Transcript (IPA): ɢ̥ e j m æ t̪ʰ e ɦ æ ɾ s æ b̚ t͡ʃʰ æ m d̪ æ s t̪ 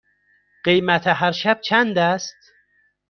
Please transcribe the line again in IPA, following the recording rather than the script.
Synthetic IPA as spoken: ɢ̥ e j m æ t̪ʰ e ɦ æ ɾ ʃ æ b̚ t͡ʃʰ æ n d̪ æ s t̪